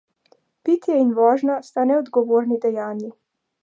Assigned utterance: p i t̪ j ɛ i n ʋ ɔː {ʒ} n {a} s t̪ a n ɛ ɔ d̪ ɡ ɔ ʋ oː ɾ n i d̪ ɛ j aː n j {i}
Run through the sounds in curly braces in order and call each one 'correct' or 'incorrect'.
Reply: correct, correct, correct

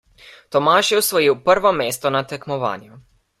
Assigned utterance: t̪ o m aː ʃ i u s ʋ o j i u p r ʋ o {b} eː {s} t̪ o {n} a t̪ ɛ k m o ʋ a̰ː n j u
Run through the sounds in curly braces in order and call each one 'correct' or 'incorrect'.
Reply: incorrect: m, correct, correct

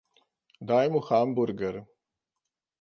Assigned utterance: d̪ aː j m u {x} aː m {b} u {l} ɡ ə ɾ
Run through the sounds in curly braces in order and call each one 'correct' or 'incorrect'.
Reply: correct, correct, incorrect: ɾ

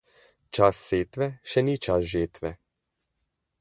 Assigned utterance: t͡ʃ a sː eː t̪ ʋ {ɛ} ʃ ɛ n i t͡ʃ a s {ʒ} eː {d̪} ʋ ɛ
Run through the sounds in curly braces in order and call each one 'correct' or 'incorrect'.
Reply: correct, correct, incorrect: t̪

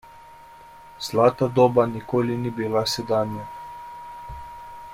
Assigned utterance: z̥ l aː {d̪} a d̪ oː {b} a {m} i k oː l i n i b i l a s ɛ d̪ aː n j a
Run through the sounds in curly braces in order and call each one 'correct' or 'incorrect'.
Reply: incorrect: t̪, correct, incorrect: n

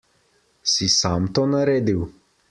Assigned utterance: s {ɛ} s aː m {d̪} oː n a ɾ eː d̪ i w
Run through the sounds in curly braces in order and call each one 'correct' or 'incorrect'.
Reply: incorrect: i, incorrect: t̪

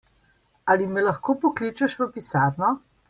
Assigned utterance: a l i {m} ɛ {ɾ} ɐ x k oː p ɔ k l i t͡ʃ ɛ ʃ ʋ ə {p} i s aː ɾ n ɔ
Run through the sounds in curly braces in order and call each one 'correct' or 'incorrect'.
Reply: correct, incorrect: l, correct

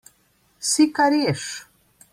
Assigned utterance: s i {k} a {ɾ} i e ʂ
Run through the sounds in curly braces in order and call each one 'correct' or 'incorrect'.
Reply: correct, correct

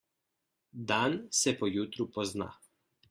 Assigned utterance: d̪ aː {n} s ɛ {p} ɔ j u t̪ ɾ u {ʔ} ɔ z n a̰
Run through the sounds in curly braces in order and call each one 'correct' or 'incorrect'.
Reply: correct, correct, incorrect: p

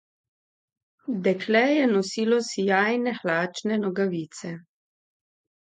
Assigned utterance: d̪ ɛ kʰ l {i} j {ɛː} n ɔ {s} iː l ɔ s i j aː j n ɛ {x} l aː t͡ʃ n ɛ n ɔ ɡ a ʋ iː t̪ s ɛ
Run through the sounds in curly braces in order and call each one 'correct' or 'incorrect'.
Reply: incorrect: ɛ, incorrect: ɛ, correct, correct

